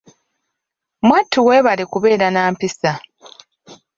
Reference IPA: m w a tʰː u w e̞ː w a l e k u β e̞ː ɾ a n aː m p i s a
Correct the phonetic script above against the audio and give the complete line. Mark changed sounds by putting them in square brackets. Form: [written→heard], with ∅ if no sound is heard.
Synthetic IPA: m w a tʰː u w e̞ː [w→β] a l e k u β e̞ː ɾ a n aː m p i s a